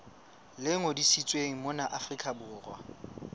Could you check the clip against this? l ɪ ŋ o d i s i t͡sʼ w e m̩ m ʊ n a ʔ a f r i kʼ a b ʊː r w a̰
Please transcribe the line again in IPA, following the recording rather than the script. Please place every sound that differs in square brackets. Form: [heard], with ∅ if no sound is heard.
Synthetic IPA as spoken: l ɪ ŋ o d i s i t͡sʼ w e [ŋ̩] m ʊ n a ʔ a f r i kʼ a b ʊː r w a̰